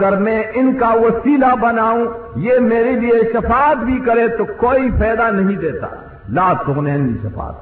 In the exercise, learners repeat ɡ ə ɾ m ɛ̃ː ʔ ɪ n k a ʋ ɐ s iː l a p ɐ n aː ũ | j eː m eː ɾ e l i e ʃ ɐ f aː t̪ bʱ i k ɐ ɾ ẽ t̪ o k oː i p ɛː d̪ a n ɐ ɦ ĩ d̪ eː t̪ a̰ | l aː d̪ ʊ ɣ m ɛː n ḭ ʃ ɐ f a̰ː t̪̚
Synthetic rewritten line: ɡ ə ɾ m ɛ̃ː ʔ ɪ n k a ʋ ɐ s iː l a b ɐ n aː ũ | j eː m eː ɾ e l i e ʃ ɐ f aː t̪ bʱ i k ɐ ɾ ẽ t̪ o k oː i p ɛː d̪ a n ɐ ɦ ĩ d̪ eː t̪ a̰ | l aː t̪ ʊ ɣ n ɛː n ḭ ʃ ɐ f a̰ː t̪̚